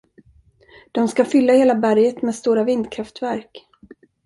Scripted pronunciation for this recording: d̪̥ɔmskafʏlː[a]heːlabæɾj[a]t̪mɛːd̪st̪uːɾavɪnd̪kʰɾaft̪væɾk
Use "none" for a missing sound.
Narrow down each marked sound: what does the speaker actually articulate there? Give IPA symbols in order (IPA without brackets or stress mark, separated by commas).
a, ə